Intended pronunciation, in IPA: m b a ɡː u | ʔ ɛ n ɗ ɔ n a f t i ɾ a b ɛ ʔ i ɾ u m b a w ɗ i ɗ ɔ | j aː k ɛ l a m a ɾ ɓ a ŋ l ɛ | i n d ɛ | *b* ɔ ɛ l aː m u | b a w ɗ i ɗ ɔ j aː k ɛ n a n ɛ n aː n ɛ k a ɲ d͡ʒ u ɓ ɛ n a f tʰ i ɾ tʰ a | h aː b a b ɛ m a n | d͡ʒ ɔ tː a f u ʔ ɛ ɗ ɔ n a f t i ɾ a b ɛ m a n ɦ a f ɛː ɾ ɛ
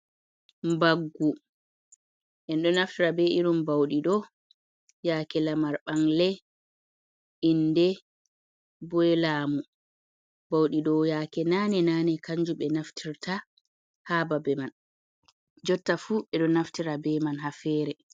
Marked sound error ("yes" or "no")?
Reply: no